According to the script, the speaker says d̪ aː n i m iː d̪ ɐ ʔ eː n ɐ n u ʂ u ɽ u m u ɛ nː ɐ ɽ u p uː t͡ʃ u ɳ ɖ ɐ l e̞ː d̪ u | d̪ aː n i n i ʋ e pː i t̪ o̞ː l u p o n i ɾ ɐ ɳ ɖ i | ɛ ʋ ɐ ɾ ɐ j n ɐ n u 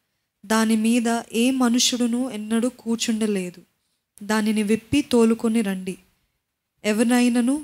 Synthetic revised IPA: d̪ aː n i m iː d̪ ɐ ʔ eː m ɐ n u ʂ u ɽ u n u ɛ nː ɐ ɽ u k uː t͡ʃ u ɳ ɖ ɐ l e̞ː d̪ u | d̪ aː n i n i ʋ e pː i t̪ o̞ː l u k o n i ɾ ɐ ɳ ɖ i | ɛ ʋ ɐ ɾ ɐ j n ɐ n u